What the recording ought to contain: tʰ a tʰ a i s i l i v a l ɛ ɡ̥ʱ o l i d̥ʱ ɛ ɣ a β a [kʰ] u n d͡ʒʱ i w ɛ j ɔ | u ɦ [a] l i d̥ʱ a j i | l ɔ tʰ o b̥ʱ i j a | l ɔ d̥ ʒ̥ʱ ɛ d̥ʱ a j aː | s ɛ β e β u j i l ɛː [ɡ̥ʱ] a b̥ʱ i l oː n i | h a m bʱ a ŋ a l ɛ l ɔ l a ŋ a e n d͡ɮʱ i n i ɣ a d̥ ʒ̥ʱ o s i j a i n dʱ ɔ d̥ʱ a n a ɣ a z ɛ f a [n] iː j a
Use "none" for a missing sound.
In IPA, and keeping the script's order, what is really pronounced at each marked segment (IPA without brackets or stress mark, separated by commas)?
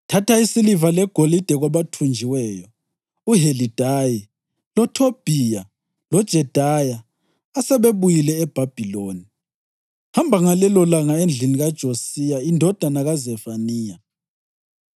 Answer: tʰ, e, b̥ʱ, n